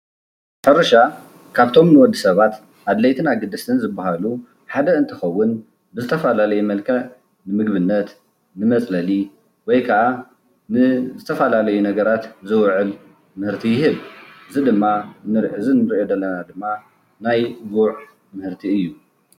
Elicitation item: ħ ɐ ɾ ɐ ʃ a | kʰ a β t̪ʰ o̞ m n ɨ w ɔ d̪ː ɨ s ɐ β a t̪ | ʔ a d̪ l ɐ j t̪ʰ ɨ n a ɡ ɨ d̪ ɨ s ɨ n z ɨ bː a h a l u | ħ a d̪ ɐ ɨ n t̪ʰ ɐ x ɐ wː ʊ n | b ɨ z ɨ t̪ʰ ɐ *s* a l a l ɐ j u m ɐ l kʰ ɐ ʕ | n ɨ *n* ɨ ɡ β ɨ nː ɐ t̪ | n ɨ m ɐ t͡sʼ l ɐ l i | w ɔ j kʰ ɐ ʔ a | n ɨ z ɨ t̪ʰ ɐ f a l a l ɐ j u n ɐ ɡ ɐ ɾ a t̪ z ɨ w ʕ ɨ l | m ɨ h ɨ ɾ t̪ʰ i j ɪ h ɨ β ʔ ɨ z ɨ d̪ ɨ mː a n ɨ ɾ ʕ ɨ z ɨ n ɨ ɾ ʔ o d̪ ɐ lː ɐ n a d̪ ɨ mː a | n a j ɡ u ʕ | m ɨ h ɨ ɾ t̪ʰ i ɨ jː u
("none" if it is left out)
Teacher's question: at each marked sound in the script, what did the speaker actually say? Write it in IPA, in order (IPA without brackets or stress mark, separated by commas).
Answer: f, m